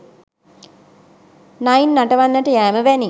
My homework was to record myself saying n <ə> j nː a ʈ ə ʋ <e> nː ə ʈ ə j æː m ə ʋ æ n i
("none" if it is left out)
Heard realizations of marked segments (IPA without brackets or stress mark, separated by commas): a, a